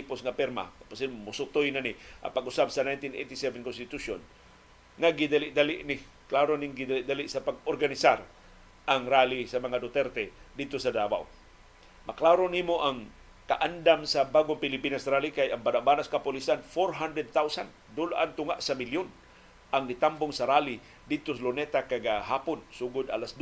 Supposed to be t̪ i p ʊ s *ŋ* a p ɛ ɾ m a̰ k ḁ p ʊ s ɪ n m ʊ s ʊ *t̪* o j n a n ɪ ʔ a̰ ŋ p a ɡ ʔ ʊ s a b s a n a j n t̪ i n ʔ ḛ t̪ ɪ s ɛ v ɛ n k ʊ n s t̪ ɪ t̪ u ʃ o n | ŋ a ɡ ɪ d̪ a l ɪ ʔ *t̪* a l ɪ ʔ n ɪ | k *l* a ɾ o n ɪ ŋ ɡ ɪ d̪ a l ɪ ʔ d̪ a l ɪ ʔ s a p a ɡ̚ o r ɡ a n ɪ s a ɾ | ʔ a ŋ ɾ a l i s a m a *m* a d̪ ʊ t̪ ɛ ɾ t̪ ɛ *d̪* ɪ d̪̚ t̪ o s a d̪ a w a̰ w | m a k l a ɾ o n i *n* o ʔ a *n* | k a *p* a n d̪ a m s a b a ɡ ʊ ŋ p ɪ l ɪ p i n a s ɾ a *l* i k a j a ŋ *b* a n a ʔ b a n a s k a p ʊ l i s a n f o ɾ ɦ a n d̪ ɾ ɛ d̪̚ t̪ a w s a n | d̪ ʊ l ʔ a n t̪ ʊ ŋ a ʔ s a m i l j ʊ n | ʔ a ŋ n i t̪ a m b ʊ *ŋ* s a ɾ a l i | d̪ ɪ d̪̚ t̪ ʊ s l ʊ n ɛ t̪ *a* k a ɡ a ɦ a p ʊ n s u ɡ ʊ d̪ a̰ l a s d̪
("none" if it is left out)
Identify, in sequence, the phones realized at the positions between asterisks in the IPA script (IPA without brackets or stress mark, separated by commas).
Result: ŋ, t̪, d̪, l, ŋ, d̪, m, ŋ, ʔ, l, b, ŋ, a